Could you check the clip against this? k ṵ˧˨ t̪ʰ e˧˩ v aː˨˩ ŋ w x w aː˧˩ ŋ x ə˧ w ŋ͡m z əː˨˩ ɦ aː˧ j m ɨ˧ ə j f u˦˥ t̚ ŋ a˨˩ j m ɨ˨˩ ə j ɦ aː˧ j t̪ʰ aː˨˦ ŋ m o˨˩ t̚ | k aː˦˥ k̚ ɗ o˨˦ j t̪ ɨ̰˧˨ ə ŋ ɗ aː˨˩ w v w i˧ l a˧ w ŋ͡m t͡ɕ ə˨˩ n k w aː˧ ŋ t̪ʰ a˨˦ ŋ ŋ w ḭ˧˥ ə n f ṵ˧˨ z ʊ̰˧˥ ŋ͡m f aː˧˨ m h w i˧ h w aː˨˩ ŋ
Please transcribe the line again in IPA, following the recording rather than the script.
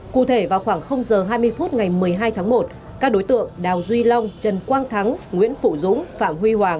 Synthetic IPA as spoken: k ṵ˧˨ t̪ʰ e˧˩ v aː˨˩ w x w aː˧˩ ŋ x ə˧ w ŋ͡m z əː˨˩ ɦ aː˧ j m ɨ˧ ə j f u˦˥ t̚ ŋ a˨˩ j m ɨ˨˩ ə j ɦ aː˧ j t̪ʰ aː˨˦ ŋ m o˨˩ t̚ | k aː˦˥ k̚ ɗ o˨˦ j t̪ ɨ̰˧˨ ə ŋ ɗ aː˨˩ w z w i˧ l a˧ w ŋ͡m t͡ɕ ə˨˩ n k w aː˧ ŋ t̪ʰ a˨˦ ŋ ŋ w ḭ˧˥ ə n f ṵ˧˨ z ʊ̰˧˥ ŋ͡m f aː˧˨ m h w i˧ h w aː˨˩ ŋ

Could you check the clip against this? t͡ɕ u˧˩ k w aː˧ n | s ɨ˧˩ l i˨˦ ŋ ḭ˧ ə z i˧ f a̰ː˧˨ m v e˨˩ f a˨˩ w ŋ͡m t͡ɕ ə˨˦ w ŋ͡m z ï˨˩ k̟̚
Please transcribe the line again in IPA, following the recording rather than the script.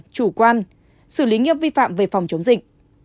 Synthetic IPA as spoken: t͡ɕ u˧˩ k w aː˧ n | s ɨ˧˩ l i˨˦ ŋ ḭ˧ ə v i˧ f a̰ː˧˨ m v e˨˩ f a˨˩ w ŋ͡m t͡ɕ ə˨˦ w ŋ͡m z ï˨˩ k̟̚

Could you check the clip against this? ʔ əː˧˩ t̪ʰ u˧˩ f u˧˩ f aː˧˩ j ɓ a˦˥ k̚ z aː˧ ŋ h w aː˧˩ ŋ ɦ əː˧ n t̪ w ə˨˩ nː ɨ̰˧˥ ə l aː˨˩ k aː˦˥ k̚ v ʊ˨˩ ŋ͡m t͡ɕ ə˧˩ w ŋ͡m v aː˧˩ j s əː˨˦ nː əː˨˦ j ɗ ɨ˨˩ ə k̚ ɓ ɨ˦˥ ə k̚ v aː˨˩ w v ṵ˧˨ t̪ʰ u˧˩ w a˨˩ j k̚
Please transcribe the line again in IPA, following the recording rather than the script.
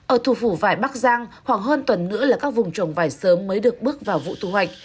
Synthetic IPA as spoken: ʔ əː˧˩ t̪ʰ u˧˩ f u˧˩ v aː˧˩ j ɓ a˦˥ k̚ z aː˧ ŋ h w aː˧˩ ŋ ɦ əː˧ n t̪ w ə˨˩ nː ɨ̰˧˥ ə l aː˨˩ k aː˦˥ k̚ v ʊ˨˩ ŋ͡m t͡ɕ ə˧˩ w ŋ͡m v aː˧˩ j s əː˨˦ mː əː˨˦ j ɗ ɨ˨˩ ə k̚ ɓ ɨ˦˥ ə k̚ v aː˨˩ w v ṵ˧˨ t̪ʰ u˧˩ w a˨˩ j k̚

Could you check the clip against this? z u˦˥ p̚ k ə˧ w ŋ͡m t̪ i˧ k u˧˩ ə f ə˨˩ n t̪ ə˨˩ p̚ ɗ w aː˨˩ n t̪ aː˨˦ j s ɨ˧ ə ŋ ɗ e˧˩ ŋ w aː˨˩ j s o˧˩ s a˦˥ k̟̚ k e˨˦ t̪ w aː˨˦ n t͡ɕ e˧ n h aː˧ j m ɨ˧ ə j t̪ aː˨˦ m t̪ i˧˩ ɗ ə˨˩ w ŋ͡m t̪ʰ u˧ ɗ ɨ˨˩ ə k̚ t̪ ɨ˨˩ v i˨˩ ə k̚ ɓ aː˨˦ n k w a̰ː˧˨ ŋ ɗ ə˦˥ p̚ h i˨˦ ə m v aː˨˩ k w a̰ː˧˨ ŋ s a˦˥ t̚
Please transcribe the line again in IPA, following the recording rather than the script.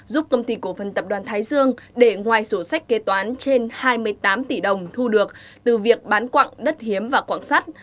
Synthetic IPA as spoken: z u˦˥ p̚ k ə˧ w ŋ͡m t̪ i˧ k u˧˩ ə f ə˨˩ n t̪ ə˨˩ p̚ ɗ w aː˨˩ n t̪ʰ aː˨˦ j z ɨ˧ ə ŋ ɗ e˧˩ ŋ w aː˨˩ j s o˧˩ s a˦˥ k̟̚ k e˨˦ t̪ w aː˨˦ n t͡ɕ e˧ n h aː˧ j m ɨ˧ ə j t̪ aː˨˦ m t̪ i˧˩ ɗ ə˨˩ w ŋ͡m t̪ʰ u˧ ɗ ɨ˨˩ ə k̚ t̪ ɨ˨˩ v i˨˩ ə k̚ ɓ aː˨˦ n k w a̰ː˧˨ ŋ ɗ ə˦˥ t̚ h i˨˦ ə m v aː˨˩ k w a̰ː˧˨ ŋ s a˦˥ t̚

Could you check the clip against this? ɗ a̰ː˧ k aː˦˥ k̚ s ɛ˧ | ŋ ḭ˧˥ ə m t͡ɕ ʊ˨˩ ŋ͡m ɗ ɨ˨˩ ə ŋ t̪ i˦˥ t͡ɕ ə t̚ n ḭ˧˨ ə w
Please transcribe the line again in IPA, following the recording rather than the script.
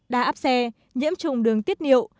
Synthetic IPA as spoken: ɗ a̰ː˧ ʔ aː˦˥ p̚ s ɛ˧ | ɲ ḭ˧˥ ə m t͡ɕ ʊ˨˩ ŋ͡m ɗ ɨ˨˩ ə ŋ t̪ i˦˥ ə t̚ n ḭ˧˨ ə w

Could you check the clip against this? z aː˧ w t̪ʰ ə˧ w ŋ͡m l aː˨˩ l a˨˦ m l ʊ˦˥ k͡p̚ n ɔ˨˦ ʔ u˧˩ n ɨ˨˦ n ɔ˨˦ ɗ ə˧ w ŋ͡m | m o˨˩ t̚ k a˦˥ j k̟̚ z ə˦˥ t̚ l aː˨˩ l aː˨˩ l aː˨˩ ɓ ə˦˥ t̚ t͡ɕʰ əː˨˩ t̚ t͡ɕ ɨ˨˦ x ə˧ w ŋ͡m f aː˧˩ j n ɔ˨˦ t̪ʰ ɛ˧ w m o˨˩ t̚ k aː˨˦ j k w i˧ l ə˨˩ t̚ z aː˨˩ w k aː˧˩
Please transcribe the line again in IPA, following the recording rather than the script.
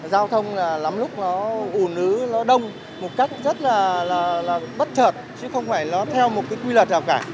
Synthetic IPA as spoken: z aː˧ w t̪ʰ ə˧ w ŋ͡m l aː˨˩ l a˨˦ m l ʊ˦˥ k͡p̚ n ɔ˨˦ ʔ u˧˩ n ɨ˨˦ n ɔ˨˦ ɗ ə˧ w ŋ͡m | m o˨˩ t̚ k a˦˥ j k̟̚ z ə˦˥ t̚ l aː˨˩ l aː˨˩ l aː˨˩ ɓ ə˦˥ t̚ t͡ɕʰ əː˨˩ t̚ t͡ɕ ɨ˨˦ x ə˧ w ŋ͡m f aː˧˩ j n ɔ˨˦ t̪ʰ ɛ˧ w m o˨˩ t̚ k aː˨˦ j k w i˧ l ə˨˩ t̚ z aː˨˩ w k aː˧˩

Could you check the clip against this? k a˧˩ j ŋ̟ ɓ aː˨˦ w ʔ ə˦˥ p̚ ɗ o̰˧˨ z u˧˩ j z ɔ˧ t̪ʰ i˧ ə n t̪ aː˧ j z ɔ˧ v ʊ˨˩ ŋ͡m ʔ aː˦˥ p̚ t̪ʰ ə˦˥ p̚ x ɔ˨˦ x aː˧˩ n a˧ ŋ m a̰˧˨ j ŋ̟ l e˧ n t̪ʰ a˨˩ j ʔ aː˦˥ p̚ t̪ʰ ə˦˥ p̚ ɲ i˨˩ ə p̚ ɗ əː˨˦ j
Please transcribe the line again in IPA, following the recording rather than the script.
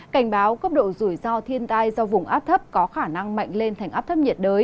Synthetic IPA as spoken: k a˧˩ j ŋ̟ ɓ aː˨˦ w k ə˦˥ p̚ ɗ o̰˧˨ z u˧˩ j z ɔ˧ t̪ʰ i˧ ə n t̪ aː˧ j z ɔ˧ v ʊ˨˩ ŋ͡m ʔ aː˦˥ p̚ t̪ʰ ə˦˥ p̚ k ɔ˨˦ x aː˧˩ n a˧ ŋ m a̰˧˨ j ŋ̟ l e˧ n t̪ʰ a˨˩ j ʔ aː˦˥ p̚ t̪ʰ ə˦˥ p̚ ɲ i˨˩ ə t̚ ɗ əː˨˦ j

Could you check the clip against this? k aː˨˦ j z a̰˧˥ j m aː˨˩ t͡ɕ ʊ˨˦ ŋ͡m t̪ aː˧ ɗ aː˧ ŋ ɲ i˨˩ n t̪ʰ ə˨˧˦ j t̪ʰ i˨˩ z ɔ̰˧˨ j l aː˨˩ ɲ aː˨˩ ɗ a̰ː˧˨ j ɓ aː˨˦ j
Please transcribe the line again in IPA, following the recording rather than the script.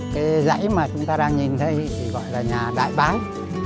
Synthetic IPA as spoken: k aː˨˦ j z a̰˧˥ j m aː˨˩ t͡ɕ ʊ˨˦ ŋ͡m t̪ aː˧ ɗ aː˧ ŋ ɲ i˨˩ n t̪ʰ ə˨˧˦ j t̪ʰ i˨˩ ɣ ɔ̰˧˨ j l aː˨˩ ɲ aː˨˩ ɗ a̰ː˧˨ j ɓ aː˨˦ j

